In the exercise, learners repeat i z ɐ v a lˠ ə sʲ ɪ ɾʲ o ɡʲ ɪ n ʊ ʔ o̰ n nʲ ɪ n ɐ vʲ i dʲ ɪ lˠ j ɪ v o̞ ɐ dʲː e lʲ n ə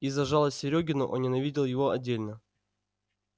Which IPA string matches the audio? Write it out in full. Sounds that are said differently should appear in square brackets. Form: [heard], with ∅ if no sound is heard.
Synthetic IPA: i z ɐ [ʐ] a lˠ ə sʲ ɪ ɾʲ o ɡʲ ɪ n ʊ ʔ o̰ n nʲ ɪ n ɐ vʲ i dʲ ɪ lˠ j ɪ v o̞ ɐ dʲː e lʲ n ə